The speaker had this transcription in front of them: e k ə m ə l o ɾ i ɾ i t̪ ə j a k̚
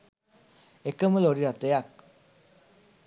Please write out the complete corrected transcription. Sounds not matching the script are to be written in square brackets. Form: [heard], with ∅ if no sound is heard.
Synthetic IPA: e k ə m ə l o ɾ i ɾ [a] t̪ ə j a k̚